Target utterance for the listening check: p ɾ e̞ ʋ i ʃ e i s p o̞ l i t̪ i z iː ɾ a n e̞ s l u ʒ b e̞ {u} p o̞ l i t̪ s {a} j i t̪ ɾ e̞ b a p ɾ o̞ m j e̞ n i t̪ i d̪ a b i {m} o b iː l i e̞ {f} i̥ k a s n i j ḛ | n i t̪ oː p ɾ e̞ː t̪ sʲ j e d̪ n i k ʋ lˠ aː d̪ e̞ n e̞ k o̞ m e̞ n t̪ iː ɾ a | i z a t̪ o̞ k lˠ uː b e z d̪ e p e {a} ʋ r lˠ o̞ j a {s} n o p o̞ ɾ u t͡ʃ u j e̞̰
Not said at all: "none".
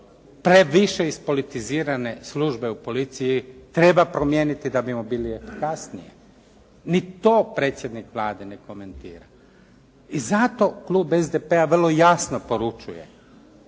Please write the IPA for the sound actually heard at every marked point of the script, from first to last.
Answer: u, i, m, f, a, s

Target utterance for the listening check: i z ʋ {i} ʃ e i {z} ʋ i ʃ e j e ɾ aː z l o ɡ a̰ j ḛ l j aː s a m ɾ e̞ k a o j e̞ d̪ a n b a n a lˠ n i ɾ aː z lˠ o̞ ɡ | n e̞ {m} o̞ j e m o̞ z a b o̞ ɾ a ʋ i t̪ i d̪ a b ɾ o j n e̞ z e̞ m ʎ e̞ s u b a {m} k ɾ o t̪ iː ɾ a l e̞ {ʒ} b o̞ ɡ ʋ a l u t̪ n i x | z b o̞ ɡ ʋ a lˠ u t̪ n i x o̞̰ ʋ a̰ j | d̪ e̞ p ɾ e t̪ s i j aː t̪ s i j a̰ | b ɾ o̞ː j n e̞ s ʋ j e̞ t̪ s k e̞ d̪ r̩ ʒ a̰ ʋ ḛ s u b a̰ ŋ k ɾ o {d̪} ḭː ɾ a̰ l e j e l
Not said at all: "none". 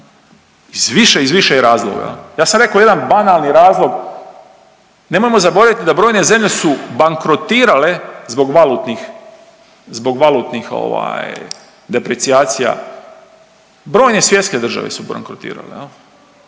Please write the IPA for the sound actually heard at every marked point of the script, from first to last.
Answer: i, z, m, ŋ, z, t̪

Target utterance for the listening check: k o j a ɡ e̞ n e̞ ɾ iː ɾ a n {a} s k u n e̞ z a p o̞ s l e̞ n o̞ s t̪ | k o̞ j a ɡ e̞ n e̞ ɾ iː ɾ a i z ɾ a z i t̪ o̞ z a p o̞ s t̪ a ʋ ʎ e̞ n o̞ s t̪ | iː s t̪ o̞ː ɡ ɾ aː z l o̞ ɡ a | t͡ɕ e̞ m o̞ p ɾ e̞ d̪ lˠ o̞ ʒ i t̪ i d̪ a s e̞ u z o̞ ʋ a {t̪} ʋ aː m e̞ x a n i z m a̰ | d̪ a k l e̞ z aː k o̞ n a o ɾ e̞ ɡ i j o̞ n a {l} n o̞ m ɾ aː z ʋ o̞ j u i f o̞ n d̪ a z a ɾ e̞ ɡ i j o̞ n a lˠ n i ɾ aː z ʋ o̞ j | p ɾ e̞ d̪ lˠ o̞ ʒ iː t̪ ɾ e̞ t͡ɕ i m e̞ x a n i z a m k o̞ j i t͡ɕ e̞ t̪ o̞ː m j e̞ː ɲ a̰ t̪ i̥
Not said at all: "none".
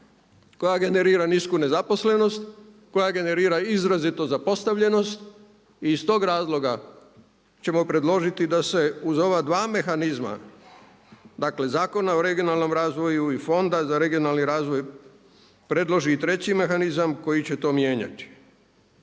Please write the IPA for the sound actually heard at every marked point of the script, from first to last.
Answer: i, d̪, l

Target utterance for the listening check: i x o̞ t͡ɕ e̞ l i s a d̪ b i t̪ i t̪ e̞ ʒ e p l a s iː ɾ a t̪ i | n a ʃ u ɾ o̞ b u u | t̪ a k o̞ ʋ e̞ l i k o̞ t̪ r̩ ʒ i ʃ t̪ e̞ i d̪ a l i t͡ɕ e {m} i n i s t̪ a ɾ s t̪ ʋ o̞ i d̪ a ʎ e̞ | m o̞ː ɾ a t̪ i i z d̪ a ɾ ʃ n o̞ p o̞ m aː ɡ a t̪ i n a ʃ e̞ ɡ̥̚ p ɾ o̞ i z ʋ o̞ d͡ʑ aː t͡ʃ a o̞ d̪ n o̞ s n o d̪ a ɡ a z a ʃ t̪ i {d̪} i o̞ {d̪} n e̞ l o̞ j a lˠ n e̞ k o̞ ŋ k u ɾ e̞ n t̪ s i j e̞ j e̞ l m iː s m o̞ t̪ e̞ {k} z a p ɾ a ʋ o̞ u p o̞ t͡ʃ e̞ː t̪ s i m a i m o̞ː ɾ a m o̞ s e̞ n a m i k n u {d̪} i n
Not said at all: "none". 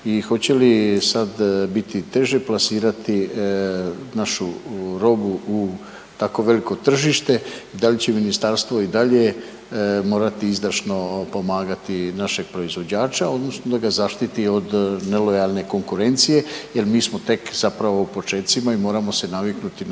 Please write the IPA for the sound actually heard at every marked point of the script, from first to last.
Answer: m, t̪, d̪, k, t̪

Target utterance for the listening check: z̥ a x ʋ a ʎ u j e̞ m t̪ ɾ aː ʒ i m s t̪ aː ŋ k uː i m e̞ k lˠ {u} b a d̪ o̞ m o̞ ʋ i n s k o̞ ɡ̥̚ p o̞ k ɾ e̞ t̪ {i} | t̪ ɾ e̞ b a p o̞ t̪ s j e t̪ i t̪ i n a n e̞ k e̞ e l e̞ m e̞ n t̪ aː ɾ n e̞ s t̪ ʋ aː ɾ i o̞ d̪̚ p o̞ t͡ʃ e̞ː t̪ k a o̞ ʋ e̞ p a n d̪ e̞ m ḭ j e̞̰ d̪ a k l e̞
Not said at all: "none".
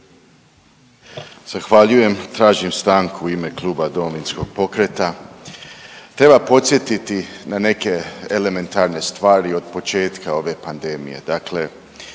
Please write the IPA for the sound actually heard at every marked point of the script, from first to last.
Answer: uː, a

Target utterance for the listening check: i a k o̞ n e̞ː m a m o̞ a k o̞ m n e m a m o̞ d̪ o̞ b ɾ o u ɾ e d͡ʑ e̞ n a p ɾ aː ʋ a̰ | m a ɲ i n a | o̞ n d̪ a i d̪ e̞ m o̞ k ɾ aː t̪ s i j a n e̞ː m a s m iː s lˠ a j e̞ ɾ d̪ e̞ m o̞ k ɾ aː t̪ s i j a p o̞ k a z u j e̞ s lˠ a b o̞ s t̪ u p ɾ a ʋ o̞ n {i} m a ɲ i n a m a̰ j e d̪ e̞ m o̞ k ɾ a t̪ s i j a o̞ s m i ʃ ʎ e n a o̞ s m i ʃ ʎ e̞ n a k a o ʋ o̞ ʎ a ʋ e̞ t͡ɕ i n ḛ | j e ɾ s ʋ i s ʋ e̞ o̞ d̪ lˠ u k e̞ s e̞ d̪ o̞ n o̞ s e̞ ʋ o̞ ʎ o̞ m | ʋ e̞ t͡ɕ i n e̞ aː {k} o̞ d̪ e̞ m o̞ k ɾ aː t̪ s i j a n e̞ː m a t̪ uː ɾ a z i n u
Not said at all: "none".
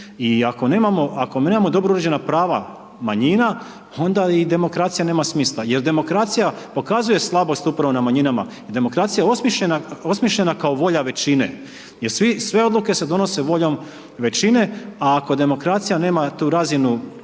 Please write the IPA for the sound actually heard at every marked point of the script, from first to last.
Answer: a, k

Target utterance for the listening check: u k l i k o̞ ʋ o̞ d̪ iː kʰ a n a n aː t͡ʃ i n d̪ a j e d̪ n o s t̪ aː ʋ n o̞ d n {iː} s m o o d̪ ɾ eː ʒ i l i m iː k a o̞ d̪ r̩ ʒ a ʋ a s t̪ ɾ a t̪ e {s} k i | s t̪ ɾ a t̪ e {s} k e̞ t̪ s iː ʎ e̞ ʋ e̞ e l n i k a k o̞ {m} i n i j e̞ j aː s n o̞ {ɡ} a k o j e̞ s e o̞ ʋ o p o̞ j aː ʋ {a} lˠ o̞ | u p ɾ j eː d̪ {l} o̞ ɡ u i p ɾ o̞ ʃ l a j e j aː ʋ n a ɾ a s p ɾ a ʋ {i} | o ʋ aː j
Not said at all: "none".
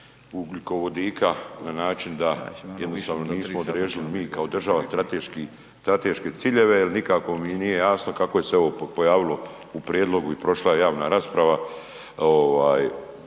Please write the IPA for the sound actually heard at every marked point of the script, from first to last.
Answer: iː, ʃ, ʃ, m, k, i, l, a

